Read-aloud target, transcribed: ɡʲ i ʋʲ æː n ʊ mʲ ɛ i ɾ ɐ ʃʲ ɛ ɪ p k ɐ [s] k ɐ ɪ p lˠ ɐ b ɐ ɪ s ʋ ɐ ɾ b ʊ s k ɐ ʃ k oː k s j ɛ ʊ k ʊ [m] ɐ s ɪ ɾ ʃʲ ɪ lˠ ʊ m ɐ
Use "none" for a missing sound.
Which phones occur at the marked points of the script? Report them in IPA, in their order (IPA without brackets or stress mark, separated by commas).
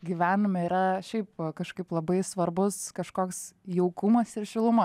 ʃ, m